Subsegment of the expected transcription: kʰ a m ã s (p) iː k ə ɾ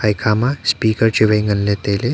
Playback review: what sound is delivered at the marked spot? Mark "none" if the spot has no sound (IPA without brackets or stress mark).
p